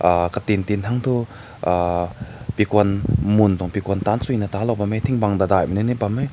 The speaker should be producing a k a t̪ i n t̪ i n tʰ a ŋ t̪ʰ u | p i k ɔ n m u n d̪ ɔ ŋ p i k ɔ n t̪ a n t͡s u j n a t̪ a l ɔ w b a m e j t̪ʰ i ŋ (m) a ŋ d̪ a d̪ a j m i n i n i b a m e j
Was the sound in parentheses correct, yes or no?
no